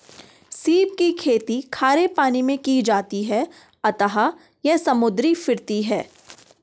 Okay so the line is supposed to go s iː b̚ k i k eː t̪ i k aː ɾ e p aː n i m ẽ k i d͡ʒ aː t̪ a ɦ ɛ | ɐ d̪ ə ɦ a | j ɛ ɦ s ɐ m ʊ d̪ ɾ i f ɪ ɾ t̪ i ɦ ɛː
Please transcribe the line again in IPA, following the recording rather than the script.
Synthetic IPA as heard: s iː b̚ k i kʰ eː t̪ i kʰ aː ɾ e p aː n i m ẽ k i d͡ʒ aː t̪ i ɦ ɛ | ɐ t̪ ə ɦ a | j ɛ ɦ s ɐ m ʊ d̪ ɾ i f ɪ ɾ t̪ i ɦ ɛː